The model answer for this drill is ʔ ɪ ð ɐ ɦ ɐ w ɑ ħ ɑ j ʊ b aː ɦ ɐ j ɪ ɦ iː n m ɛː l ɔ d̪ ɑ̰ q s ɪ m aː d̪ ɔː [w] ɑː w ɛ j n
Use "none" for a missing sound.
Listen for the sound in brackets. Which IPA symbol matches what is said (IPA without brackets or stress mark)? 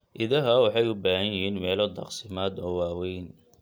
w